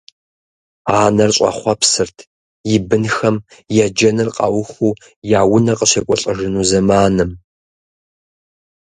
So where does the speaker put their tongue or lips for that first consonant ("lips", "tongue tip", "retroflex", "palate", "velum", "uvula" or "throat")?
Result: tongue tip